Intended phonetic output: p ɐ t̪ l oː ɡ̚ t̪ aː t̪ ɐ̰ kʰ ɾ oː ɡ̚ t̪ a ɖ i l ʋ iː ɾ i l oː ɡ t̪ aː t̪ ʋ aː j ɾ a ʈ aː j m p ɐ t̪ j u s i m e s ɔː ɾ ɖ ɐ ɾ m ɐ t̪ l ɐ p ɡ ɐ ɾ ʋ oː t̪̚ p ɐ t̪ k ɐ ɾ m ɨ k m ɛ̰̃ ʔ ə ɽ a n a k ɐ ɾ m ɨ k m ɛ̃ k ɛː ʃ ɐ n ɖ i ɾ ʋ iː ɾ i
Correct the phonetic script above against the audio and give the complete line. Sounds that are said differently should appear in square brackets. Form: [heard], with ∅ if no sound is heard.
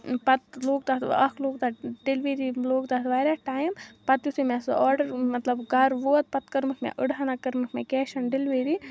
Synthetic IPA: p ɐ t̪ l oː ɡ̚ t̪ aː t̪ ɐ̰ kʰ [l] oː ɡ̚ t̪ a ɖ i l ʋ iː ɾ i l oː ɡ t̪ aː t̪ ʋ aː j ɾ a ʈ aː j m p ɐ t̪ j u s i m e s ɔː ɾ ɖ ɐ ɾ m ɐ t̪ l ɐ [b] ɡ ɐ ɾ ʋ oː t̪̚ p ɐ t̪ k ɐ ɾ m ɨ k m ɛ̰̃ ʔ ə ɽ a n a k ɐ ɾ m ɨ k m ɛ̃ k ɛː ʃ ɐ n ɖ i [l] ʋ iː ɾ i